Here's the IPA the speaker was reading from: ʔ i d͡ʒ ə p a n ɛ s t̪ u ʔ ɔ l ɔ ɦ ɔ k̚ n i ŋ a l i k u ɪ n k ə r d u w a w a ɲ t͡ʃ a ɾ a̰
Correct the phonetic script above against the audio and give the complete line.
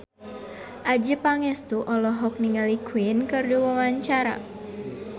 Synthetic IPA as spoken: ʔ a d͡ʒ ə p a ŋ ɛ s t̪ u ʔ ɔ l ɔ ɦ ɔ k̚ n i ŋ a l i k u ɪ n k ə r d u w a w a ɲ t͡ʃ a ɾ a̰